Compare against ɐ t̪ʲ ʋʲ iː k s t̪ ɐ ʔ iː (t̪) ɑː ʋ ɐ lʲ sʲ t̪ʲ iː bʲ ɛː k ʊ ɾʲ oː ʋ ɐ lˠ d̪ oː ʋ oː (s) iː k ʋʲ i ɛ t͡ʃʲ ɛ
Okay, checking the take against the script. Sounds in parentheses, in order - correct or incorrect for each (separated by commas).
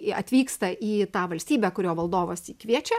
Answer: correct, correct